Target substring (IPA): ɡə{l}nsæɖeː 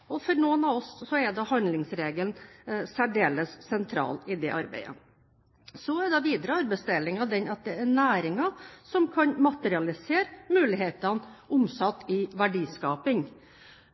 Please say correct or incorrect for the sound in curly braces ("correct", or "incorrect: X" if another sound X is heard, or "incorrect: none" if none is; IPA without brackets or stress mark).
correct